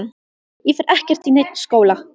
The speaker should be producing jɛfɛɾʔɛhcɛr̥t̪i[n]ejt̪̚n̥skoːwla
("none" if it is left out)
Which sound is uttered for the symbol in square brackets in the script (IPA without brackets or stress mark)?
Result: n